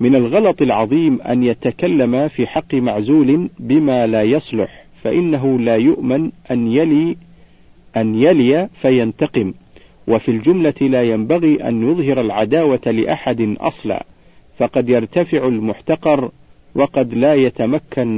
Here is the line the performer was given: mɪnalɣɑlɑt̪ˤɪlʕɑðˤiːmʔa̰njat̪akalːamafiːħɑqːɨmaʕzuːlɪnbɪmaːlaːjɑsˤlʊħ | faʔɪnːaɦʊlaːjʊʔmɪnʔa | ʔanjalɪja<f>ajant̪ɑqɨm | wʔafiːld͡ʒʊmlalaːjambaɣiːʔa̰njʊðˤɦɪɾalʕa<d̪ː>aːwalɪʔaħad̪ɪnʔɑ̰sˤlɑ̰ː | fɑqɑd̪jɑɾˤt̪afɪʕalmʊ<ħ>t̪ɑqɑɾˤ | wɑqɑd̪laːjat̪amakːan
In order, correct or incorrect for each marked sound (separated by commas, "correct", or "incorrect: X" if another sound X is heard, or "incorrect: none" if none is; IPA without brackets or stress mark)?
correct, incorrect: d̪, correct